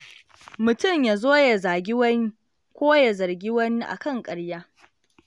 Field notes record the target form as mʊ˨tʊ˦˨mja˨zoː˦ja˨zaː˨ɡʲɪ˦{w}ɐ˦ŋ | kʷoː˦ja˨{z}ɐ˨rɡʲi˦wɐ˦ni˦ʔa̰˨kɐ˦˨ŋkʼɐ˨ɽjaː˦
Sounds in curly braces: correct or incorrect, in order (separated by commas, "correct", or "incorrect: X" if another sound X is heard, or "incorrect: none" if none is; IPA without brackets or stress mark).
correct, correct